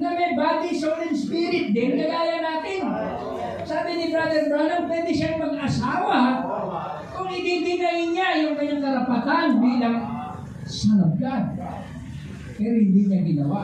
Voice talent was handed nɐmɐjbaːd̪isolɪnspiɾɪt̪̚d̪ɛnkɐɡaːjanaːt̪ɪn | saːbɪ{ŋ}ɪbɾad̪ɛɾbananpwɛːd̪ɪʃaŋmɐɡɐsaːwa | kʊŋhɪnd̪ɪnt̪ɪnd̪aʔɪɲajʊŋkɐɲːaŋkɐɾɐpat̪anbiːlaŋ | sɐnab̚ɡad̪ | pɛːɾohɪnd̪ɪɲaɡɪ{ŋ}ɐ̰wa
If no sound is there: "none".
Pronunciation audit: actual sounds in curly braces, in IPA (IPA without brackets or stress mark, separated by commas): n, n